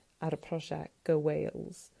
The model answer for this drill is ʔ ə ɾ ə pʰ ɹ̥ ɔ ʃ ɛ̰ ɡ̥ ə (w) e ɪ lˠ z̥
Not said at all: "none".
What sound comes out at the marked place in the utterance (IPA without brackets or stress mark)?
w